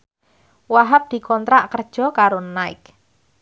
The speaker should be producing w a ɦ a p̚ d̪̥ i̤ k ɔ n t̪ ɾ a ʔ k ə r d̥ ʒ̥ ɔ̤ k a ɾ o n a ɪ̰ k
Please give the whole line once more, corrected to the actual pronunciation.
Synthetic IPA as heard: w a ɦ a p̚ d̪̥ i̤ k ɔ n t̪ ɾ a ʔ k ə r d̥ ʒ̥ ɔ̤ k a ɾ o n a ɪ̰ k